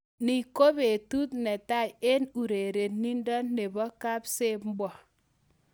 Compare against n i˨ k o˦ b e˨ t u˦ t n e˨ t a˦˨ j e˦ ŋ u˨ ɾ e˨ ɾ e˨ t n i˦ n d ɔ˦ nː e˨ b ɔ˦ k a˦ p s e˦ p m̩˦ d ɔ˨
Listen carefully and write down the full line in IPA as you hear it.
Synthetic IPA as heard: n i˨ k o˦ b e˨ t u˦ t n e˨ t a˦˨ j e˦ n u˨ ɾ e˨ ɾ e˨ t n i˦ n d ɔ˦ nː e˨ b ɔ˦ k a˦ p s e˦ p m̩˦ b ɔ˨